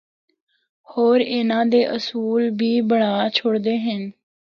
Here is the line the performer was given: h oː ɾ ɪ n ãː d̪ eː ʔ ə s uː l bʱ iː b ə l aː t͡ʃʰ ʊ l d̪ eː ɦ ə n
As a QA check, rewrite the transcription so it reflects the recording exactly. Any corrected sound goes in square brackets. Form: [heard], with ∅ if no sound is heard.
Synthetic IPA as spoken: h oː ɾ ɪ n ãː d̪ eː ʔ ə s uː l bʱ iː b ə [ɽ] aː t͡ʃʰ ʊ [ɽ] d̪ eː ɦ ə n